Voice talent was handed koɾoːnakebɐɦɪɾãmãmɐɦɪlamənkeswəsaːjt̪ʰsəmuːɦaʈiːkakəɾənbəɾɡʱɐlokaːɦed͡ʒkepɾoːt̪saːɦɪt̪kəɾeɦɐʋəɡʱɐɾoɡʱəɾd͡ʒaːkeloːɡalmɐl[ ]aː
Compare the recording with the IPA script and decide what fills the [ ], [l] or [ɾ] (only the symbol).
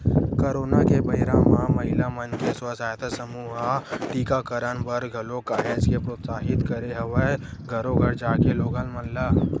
l